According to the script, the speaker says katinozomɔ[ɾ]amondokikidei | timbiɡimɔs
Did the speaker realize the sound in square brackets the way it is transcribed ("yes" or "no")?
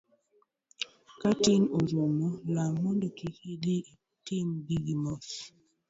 no